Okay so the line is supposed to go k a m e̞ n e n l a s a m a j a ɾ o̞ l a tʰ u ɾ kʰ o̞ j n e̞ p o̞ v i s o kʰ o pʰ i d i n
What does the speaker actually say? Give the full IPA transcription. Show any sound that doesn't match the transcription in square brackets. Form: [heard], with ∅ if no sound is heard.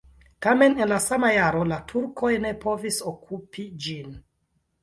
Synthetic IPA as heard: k a m e̞ n e n l a s a m a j a ɾ o̞ l a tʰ u ɾ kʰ o̞ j n e̞ p o̞ v i s o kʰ [u] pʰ i [d͡ʒ] i n